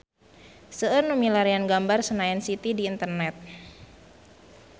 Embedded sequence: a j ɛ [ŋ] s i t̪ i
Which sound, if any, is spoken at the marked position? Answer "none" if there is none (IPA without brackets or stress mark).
n